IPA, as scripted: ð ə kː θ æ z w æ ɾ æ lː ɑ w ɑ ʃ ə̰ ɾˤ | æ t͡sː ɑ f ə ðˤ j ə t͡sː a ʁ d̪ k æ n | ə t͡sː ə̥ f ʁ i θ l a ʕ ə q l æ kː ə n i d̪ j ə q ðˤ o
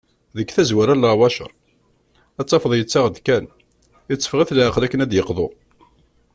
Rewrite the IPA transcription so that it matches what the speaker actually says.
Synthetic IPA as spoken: ð ə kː θ æ z w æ ɾ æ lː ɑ w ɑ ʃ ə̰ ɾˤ | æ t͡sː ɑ f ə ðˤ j ə t͡sː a ʁ d̪ k æ n | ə t͡sː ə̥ f ʁ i θ l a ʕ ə q l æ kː ə n æ d̪ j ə q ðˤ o

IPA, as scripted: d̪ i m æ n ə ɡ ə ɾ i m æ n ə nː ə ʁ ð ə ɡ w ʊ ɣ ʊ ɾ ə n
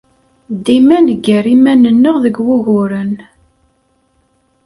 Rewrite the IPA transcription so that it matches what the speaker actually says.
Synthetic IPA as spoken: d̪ i m æ n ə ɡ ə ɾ i m æ n ə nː ə ʁ ð ə ɡ w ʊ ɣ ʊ ɾ ə n

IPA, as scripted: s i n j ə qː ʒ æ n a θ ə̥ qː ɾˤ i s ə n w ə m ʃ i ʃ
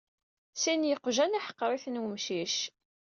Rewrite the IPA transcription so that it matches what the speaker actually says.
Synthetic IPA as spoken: s i n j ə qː ʒ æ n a ħ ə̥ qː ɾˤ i θ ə n w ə m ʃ i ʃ

